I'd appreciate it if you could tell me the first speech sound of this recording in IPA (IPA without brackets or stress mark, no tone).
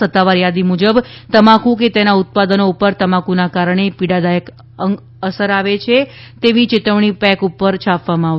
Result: ə